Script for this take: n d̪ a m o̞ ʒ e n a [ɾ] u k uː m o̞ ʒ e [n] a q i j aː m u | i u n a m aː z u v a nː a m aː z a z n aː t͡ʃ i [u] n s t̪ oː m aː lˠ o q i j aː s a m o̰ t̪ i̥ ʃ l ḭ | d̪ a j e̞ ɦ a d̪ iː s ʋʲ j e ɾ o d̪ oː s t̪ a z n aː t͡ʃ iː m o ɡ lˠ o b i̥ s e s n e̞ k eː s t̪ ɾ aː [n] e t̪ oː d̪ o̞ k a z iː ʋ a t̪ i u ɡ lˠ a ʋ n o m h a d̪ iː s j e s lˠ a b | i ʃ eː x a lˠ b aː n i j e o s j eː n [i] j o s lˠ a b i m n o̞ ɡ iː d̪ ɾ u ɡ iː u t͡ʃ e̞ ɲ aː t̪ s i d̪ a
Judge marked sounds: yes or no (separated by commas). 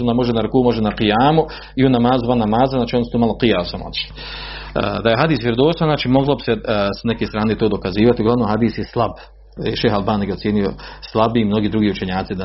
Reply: yes, yes, no, yes, yes